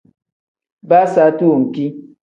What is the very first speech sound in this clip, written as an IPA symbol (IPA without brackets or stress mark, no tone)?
b